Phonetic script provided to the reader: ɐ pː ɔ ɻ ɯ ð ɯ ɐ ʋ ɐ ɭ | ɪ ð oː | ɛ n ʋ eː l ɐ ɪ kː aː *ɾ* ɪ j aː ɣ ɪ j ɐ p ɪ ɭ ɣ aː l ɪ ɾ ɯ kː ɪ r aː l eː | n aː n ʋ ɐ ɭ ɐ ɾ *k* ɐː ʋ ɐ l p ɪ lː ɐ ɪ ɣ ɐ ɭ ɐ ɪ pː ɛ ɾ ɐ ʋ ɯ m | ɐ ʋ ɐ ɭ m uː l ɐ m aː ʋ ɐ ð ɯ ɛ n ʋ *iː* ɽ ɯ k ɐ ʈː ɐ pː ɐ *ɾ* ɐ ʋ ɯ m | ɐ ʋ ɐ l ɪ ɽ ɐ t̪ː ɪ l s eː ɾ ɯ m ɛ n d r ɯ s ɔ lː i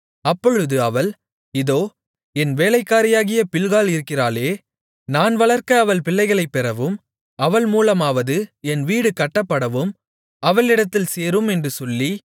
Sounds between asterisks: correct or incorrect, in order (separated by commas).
correct, correct, correct, incorrect